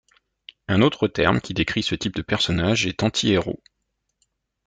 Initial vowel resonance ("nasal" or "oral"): nasal